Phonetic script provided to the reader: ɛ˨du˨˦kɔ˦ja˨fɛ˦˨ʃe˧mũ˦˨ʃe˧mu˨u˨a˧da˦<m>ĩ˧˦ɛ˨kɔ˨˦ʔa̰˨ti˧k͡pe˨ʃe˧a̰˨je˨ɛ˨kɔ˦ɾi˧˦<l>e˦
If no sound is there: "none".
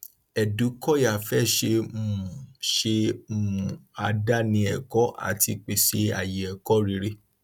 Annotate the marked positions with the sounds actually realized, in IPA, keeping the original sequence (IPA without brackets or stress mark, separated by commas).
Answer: n, ɾ